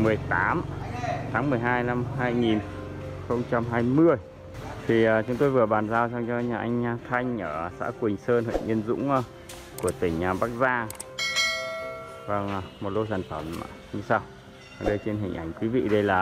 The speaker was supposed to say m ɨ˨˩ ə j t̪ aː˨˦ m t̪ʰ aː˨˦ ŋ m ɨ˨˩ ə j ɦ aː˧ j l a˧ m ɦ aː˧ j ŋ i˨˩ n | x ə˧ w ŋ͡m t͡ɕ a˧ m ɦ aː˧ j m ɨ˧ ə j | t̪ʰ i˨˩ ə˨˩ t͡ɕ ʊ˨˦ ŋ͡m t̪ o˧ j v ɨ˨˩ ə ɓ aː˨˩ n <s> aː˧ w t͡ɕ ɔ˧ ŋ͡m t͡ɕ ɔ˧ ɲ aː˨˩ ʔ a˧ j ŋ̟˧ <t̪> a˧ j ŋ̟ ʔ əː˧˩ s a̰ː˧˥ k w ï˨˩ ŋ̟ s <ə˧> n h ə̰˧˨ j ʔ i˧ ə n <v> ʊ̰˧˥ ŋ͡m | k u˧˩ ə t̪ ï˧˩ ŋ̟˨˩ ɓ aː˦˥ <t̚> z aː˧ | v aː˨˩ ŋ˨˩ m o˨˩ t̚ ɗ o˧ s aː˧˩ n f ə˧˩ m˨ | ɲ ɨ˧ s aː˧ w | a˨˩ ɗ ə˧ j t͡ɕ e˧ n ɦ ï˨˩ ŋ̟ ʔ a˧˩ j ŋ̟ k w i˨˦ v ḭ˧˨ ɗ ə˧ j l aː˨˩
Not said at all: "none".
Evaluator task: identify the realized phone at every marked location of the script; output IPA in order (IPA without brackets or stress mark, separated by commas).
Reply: z, t̪ʰ, əː˧, z, k̚